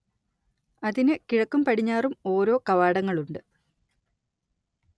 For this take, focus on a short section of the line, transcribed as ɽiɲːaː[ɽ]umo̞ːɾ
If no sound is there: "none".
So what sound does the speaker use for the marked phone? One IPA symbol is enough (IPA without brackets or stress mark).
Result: r